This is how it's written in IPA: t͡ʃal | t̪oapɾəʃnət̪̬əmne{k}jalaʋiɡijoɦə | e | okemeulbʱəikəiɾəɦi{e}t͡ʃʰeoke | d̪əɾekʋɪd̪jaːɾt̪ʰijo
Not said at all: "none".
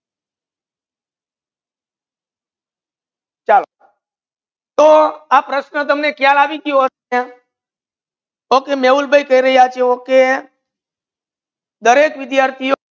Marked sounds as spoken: k, a

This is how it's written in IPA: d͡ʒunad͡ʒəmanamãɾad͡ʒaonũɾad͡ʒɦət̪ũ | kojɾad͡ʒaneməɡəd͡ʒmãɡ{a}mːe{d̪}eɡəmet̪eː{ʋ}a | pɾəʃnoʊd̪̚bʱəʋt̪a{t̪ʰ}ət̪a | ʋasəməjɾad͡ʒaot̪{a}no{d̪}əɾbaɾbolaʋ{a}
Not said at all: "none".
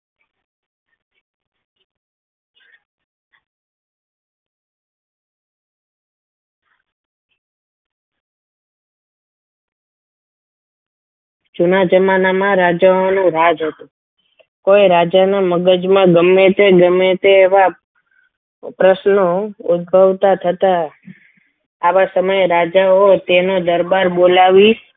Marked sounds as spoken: ə, t̪, ʋ, t̪ʰ, e, d̪, i

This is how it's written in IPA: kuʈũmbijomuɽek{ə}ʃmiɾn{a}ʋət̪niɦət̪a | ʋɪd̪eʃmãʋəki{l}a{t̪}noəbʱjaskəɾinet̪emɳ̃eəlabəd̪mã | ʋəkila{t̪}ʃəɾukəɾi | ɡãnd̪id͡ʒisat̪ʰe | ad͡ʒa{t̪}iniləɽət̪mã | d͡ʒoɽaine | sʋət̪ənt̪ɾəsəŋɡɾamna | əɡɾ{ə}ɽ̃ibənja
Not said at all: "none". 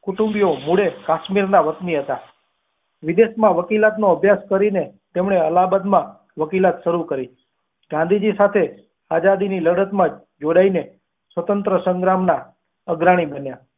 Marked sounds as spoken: a, a, l, t̪, t̪, d̪, a

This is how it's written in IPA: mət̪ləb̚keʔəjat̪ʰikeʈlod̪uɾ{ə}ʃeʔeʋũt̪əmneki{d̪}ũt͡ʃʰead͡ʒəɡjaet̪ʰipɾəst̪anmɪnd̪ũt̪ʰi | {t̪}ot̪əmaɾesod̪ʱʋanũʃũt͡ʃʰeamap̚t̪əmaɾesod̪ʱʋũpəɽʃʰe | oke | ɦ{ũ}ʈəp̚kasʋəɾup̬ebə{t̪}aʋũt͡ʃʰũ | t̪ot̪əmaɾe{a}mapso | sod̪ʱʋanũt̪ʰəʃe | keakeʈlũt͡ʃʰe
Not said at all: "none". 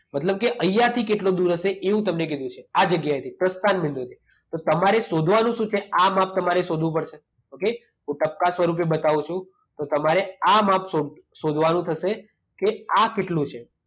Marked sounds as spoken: ə, d̪, t̪, ũ, t̪, a

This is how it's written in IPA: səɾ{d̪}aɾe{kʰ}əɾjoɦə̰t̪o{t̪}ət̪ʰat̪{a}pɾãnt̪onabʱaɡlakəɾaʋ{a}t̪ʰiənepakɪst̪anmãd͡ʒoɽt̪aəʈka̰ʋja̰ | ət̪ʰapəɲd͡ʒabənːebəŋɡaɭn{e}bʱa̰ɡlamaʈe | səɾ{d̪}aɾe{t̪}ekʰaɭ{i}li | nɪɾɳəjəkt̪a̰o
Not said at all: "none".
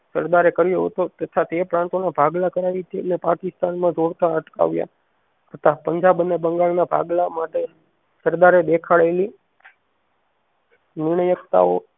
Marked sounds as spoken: d̪, k, t̪, e, i, a, d̪, d̪, e

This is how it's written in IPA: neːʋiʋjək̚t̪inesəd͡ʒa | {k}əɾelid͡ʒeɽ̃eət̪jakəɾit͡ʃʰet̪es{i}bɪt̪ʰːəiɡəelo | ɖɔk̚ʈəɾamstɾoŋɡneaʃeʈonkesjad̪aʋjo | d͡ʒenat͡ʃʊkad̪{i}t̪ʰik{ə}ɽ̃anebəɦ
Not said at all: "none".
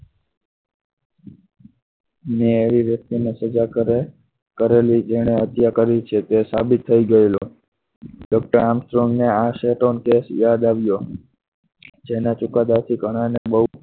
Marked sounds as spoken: k, a, a, ə

